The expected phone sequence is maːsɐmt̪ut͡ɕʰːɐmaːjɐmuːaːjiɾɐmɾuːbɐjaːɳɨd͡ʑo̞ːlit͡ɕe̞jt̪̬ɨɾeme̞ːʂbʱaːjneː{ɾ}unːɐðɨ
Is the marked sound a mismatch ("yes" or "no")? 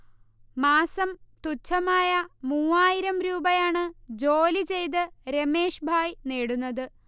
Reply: yes